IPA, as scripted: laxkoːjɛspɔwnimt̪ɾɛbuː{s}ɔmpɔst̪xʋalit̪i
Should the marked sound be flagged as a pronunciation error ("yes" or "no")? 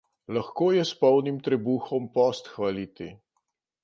yes